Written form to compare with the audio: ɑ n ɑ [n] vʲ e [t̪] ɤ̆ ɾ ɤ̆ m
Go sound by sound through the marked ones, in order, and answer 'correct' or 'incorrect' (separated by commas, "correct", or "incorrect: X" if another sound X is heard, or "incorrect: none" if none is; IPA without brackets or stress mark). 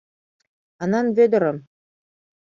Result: correct, incorrect: d̪